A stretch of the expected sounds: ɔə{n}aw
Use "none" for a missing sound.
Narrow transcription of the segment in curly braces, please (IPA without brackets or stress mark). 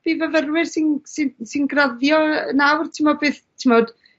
n